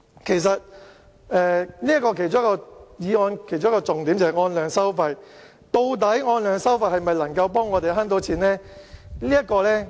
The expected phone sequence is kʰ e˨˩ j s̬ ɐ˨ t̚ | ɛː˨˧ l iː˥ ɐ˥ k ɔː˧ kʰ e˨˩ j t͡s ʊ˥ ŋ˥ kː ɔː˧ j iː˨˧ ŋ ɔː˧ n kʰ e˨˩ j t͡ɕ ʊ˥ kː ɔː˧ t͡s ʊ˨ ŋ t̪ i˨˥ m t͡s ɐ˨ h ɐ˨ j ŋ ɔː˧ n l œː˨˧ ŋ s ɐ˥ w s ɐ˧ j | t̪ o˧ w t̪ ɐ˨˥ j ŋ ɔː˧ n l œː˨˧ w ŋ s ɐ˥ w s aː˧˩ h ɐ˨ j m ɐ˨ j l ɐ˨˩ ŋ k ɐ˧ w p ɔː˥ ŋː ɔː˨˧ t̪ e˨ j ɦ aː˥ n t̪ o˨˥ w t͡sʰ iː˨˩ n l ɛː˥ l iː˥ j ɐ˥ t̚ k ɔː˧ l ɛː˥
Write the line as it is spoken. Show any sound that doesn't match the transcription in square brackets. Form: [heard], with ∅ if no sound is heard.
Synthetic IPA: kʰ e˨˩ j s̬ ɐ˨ t̚ | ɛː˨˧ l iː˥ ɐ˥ k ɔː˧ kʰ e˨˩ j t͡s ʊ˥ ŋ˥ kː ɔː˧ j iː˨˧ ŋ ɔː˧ n kʰ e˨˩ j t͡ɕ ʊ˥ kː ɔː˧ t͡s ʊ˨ ŋ t̪ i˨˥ m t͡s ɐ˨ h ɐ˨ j ŋ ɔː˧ n l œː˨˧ ŋ s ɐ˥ w [f] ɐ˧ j | t̪ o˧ w t̪ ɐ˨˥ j ŋ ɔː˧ n l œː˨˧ [∅] ŋ s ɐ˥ w [f] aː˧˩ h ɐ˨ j m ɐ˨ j l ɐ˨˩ ŋ k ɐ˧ w p ɔː˥ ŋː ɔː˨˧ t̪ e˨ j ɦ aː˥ n t̪ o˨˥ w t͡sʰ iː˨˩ n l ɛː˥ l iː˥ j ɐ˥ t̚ k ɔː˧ l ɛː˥